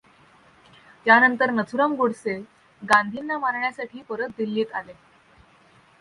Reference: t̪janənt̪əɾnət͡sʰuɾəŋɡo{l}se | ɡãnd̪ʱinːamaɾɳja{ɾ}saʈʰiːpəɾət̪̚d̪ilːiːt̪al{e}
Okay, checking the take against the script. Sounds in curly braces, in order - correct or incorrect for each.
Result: incorrect: ɽ, incorrect: none, correct

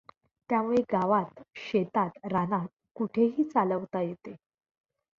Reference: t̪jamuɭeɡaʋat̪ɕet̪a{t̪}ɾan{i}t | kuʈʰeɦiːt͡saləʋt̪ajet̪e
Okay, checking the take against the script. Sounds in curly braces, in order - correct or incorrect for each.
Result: correct, incorrect: a

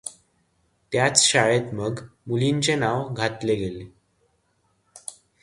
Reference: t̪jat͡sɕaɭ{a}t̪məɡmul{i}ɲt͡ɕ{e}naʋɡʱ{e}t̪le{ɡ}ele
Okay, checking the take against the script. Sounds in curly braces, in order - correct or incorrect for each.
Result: incorrect: e, correct, correct, incorrect: a, correct

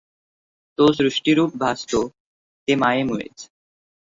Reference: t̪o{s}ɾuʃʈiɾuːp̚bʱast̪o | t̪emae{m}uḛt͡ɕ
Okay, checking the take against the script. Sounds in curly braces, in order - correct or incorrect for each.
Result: correct, correct

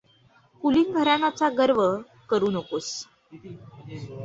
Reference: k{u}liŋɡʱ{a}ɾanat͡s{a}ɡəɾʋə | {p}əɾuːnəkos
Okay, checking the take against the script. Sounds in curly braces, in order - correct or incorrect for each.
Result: correct, incorrect: ə, correct, incorrect: k

